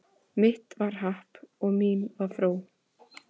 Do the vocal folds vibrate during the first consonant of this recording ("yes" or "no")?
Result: yes